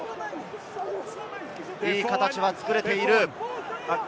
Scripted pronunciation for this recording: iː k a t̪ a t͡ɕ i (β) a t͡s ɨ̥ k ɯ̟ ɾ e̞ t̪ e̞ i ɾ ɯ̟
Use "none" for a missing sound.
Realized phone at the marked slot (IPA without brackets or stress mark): β